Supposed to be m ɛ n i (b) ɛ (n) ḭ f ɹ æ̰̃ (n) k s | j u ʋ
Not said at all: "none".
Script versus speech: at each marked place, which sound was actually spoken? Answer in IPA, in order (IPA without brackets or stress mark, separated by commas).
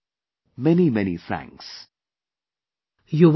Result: m, n, ŋ